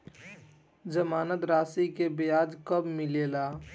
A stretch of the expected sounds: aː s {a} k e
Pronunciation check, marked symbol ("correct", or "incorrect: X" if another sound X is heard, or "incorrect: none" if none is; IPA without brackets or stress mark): incorrect: i